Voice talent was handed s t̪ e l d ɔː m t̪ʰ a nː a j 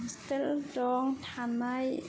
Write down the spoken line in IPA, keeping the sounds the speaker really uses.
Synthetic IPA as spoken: s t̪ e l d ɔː ŋ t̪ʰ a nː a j